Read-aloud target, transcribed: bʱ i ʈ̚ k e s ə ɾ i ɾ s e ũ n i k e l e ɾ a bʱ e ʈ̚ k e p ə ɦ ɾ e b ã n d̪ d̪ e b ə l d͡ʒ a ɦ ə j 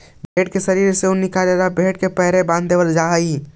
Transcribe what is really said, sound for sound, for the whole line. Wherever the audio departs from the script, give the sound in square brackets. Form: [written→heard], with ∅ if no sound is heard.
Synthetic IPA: bʱ [i→e] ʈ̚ k e s ə ɾ i ɾ s e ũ n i k [e→a] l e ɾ a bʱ e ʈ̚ k e p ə ɦ ɾ e b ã n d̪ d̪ e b ə l d͡ʒ a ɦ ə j